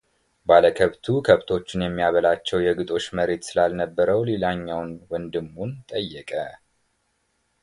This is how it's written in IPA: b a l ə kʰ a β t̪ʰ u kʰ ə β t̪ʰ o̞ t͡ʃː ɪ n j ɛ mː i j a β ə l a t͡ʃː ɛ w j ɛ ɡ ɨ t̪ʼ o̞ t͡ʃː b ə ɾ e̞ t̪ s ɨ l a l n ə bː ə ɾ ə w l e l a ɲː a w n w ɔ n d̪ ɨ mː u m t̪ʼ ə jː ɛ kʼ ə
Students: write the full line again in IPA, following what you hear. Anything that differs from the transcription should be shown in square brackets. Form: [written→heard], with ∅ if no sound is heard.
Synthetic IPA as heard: b a l ə kʰ [a→ə] β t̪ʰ u kʰ ə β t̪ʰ o̞ t͡ʃː ɪ n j ɛ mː i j a β ə l a t͡ʃː ɛ w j ɛ ɡ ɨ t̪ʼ o̞ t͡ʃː [b→m] ə ɾ e̞ t̪ s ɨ l a l n ə bː ə ɾ ə w l e l a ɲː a w n w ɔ n d̪ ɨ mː u [m→n] t̪ʼ ə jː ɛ kʼ ə